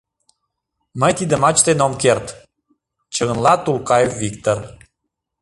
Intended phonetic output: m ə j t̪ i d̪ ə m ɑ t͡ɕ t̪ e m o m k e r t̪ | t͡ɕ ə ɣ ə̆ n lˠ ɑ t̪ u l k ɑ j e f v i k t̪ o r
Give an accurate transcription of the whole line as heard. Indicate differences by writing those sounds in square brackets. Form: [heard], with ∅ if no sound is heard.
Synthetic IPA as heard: m ə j t̪ i d̪ ə m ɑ t͡ɕ t̪ e [n] o m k e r t̪ | t͡ɕ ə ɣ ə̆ n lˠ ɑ t̪ u l k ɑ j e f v i k t̪ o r